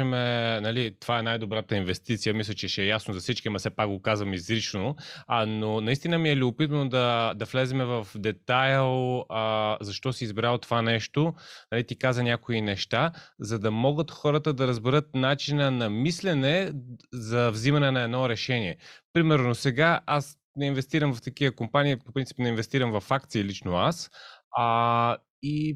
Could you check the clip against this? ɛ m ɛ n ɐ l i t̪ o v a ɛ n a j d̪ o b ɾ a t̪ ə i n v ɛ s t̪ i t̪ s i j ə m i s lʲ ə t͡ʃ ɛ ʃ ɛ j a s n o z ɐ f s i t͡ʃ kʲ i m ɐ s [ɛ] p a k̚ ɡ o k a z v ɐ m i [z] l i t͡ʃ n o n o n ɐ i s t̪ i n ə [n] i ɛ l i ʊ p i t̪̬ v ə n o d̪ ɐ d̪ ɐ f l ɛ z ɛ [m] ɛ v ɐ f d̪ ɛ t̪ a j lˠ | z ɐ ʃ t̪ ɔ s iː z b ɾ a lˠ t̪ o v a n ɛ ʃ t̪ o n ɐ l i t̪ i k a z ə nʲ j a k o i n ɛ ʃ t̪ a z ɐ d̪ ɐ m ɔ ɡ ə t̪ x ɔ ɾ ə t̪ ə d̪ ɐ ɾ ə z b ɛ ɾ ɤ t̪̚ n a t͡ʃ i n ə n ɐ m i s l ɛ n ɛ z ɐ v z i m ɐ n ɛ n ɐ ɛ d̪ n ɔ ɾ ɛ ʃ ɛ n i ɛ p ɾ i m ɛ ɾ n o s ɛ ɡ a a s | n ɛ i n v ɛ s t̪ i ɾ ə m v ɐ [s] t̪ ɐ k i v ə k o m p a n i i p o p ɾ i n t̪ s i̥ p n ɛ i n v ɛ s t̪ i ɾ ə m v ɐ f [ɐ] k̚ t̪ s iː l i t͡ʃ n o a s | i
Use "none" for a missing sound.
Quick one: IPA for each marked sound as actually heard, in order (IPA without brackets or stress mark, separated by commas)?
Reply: ɛ, z, m, m, f, a